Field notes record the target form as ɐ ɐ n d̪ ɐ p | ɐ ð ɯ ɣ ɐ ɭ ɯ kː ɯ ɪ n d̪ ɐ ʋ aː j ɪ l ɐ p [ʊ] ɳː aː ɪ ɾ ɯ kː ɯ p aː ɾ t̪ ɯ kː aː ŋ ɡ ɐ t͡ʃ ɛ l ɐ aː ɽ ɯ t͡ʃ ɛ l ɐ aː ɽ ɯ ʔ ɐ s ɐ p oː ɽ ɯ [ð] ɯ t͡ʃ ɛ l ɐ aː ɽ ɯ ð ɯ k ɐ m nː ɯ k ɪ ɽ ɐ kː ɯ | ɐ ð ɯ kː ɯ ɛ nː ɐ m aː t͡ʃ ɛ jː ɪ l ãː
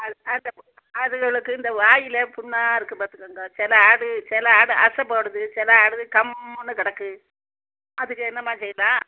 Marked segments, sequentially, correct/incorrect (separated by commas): correct, correct